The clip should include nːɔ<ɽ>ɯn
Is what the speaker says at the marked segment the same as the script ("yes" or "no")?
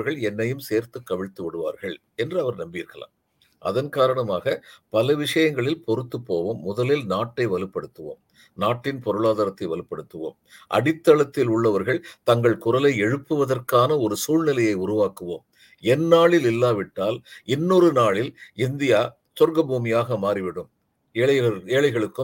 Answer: no